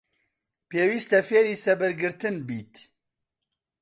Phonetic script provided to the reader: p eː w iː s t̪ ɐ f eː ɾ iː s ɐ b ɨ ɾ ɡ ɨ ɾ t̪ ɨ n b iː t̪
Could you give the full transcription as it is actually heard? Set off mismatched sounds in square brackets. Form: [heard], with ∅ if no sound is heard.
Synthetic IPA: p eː w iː s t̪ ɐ f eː ɾ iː s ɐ b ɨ ɾ ɡ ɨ ɾ t̪ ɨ n b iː t̪